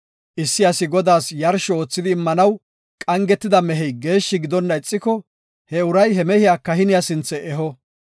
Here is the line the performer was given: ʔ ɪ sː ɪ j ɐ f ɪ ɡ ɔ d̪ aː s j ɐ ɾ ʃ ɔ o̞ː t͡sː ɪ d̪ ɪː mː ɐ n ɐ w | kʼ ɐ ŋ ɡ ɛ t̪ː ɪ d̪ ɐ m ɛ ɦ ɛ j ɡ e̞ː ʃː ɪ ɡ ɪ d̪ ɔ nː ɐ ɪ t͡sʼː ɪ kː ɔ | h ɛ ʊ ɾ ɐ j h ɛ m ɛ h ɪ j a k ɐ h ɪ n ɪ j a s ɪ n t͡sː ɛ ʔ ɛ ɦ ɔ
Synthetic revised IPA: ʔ ɪ sː ɪ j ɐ s ɪ ɡ ɔ d̪ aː s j ɐ ɾ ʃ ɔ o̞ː t͡sː ɪ d̪ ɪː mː ɐ n ɐ w | kʼ ɐ ŋ ɡ ɛ t̪ː ɪ d̪ ɐ m ɛ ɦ ɛ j ɡ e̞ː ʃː ɪ ɡ ɪ d̪ ɔ nː ɐ ɪ t͡sʼː ɪ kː ɔ | h ɛ ʊ ɾ ɐ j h ɛ m ɛ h ɪ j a k ɐ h ɪ n ɪ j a s ɪ n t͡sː ɛ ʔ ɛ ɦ ɔ